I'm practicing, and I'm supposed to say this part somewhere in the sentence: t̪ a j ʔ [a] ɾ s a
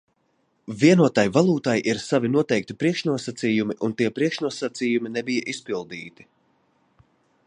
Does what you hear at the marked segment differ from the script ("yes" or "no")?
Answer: yes